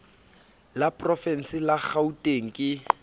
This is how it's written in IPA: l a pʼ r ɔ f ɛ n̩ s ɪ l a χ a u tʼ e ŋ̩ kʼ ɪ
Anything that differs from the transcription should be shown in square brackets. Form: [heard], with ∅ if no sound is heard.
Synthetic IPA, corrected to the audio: l a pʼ r ɔ f ɛ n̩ s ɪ l a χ a u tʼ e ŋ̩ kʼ ɪ